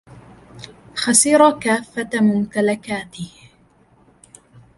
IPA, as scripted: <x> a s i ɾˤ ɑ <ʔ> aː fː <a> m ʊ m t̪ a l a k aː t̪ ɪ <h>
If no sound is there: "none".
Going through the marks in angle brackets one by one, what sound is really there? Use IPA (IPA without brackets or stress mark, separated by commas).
x, k, a, h